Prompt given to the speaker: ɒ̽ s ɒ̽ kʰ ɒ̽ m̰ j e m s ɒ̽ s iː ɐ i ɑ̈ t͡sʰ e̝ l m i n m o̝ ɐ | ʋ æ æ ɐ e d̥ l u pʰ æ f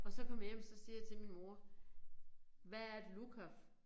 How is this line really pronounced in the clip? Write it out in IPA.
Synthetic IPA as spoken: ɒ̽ s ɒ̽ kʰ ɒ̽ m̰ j e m s ɒ̽ s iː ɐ j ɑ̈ t͡sʰ e̝ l m i n m o̝ ɐ | ʋ æ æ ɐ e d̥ l u kʰ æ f